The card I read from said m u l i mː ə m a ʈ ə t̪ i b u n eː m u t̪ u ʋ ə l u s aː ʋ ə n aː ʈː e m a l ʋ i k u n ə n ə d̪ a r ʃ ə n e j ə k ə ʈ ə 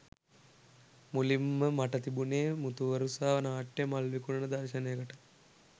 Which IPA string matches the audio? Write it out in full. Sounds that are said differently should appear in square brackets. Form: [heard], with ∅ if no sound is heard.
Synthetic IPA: m u l i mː ə m a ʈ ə t̪ i b u n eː m u t̪ u ʋ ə [ɾ] u s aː ʋ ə n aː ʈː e m a l ʋ i k u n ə n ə d̪ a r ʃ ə n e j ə k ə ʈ ə

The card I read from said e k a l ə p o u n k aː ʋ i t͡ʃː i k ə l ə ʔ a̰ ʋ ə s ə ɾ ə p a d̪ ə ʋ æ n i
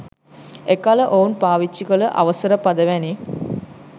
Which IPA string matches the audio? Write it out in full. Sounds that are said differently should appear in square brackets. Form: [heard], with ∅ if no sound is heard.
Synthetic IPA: e k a l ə [ʔ] o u n [p] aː ʋ i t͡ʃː i k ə l ə ʔ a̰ ʋ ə s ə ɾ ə p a d̪ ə ʋ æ n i

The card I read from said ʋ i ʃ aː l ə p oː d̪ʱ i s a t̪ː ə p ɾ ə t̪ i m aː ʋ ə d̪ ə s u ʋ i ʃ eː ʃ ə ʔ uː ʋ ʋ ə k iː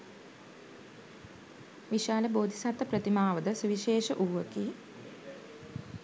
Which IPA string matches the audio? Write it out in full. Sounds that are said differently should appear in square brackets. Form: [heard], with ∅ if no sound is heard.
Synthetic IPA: ʋ i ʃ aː l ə [b] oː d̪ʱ i s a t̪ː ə p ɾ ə t̪ i m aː ʋ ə d̪ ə s u ʋ i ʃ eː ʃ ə ʔ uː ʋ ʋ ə k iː

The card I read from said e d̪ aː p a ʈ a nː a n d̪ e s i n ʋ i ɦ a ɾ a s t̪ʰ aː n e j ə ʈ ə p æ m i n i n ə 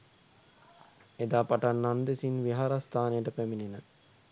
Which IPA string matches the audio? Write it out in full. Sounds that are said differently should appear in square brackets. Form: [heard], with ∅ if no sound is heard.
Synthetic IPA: e d̪ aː p a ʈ a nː a n d̪ e s i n ʋ i ɦ a ɾ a s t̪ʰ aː n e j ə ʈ ə p æ m i n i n ə

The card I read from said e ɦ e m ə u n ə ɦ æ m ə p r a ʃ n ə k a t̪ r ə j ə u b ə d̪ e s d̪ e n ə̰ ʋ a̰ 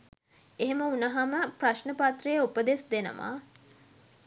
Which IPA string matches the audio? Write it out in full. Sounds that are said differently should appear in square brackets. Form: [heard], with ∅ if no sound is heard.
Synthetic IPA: e ɦ e m ə u n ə ɦ [a] m ə p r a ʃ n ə [p] a t̪ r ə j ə u [p] ə d̪ e s d̪ e n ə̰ ʋ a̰

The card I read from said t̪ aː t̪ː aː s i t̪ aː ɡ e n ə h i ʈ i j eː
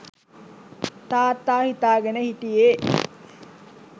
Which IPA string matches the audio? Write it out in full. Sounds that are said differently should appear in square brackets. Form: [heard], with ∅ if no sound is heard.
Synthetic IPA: t̪ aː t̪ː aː [h] i t̪ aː ɡ e n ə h i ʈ i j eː

